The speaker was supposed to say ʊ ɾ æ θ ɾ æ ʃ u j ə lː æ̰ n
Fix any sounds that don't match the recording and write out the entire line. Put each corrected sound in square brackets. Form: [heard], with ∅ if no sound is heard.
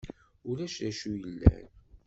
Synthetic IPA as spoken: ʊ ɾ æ [ʃ] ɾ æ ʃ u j ə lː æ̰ n